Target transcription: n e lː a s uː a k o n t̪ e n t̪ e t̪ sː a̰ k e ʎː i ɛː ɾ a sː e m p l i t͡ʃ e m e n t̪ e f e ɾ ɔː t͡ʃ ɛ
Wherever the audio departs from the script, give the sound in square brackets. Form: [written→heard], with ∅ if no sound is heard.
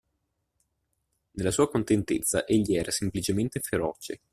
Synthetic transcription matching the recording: n e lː a s uː a k o n t̪ e n t̪ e t̪ sː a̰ [k→ʔ] e ʎː i ɛː ɾ a [sː→s] e m p l i t͡ʃ e m e n t̪ e f e ɾ ɔː t͡ʃ [ɛ→e]